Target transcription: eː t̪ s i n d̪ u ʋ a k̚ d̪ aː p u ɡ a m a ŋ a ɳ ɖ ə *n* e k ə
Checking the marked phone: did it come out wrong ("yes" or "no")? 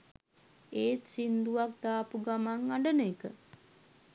no